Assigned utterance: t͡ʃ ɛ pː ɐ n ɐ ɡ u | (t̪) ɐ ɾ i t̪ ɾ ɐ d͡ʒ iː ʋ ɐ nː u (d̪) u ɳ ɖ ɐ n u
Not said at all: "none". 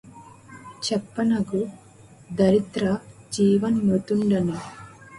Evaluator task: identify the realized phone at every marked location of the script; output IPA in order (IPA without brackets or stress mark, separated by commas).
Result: d̪, t̪